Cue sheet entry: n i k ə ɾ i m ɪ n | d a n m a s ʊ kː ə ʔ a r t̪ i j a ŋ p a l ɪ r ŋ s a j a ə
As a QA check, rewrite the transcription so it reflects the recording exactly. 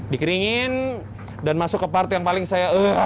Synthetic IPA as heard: d i k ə ɾ i ŋ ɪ n | d a n m a s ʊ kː ə p a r t̪ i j a ŋ p a l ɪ ŋ s a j a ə